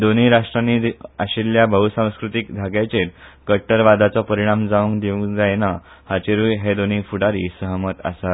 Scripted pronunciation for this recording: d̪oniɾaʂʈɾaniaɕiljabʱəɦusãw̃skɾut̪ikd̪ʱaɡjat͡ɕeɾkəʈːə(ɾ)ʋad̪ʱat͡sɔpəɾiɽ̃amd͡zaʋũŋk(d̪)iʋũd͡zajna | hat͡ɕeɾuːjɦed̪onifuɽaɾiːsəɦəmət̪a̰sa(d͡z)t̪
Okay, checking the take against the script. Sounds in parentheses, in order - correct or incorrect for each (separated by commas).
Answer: correct, correct, incorrect